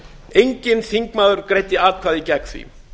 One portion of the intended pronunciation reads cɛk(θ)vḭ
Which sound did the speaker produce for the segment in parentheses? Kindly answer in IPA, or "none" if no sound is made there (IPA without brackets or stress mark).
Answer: θ